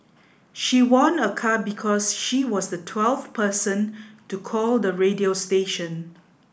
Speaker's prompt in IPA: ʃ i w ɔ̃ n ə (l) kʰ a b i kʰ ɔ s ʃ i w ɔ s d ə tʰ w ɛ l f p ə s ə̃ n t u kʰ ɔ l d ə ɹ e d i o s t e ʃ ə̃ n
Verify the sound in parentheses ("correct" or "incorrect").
incorrect